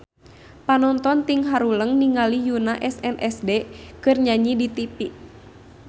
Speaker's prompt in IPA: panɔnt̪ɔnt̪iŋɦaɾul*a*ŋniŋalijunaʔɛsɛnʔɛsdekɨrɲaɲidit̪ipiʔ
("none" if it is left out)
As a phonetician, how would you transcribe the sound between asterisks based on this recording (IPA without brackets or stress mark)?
ə